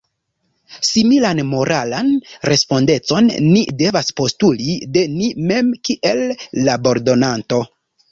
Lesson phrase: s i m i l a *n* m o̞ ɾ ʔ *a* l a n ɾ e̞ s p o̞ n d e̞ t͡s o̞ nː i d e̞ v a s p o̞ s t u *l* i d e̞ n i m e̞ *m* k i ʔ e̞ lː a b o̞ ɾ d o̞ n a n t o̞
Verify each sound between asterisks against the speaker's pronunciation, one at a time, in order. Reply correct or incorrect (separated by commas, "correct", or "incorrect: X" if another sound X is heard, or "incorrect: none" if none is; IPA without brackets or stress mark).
correct, correct, correct, correct